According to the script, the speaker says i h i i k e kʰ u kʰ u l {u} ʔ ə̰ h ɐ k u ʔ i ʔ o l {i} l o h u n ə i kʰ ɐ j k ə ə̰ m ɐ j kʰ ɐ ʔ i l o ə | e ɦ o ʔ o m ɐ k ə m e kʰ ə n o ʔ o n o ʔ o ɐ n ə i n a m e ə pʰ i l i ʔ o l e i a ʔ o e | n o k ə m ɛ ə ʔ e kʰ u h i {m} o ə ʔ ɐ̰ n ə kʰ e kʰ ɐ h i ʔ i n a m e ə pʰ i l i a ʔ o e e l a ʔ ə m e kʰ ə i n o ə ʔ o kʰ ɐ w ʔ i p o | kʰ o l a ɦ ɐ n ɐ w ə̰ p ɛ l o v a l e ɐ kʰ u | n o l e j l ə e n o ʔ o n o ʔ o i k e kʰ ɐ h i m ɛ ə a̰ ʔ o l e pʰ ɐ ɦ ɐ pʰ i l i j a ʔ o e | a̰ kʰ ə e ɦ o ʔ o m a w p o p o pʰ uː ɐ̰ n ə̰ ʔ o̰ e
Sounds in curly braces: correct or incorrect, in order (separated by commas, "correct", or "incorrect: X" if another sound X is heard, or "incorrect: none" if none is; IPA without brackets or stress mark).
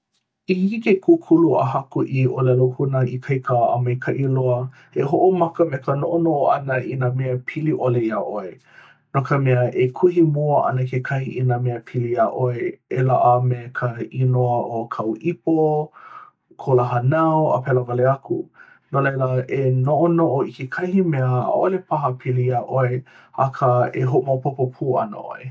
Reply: correct, incorrect: ɛ, correct